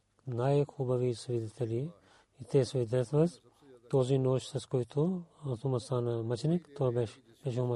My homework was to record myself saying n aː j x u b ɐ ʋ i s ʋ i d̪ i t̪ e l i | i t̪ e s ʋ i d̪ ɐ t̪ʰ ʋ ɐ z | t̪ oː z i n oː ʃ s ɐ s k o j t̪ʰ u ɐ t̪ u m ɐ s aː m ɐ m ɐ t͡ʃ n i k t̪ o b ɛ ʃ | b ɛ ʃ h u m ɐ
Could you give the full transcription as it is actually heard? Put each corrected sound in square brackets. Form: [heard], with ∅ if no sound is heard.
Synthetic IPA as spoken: n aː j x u b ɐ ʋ i s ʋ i d̪ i t̪ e l i | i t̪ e s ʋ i d̪ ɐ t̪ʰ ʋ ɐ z | t̪ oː z i n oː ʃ s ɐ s k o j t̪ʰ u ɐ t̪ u m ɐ s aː [n] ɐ m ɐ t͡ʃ n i k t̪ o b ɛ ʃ | b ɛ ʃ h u m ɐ